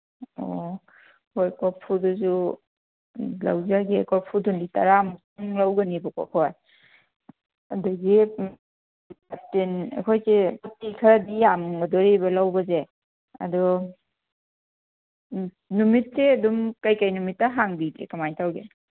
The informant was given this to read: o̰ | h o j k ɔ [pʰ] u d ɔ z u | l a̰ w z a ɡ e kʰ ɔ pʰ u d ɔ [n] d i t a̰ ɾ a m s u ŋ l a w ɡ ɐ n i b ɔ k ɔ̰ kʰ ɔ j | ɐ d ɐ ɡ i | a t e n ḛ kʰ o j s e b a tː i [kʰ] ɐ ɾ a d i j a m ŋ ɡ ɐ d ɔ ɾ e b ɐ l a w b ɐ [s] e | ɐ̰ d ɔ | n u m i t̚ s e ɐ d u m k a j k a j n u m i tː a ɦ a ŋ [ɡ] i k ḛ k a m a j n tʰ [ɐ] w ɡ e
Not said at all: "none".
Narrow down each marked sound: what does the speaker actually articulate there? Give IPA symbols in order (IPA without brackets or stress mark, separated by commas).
pʰ, n, kʰ, z, b, a